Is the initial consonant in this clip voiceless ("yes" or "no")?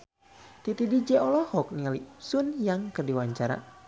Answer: yes